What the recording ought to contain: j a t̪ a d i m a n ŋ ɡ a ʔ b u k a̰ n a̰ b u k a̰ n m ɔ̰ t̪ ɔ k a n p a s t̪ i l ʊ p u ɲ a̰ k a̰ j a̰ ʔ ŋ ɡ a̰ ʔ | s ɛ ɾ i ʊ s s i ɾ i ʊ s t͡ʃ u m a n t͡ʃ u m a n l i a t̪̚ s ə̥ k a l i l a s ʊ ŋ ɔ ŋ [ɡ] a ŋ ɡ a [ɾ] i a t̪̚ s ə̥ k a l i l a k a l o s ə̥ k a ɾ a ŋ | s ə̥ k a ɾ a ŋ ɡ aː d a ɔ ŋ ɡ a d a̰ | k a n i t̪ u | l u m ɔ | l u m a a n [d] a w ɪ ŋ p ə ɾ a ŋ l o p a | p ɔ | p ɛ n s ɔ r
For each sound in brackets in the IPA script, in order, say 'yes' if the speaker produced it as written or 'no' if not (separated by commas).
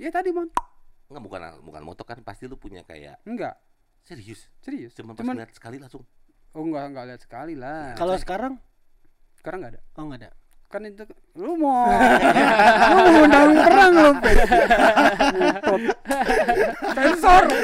yes, no, yes